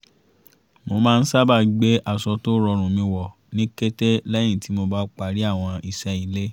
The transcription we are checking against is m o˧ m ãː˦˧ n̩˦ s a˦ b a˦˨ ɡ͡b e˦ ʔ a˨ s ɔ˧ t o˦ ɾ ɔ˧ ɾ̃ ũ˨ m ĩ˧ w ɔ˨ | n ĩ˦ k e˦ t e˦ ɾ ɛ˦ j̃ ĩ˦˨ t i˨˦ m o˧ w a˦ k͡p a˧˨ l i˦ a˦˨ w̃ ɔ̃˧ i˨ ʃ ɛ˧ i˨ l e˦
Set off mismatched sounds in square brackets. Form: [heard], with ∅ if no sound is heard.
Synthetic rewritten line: m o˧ m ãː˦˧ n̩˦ s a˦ b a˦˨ ɡ͡b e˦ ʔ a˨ s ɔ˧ t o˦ ɾ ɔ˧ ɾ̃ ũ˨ m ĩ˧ w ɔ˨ | n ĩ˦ k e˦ t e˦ [l] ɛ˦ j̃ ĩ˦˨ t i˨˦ m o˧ [b] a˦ k͡p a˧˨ [ɾ] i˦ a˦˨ w̃ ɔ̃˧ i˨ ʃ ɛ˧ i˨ l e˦